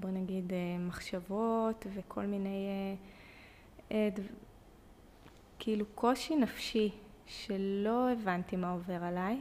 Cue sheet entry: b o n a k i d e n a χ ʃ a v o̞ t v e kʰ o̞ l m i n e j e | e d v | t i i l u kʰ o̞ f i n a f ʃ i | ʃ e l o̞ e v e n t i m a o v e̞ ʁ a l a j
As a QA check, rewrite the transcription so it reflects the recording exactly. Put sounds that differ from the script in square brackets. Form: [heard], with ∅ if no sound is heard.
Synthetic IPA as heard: b o n a [ɡ] i d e [m] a χ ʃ a v o̞ t v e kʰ o̞ l m i n e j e | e d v | [k] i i l u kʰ o̞ [ʃ] i n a f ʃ i | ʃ e l o̞ e v [a] n t i m a o v e̞ ʁ a l a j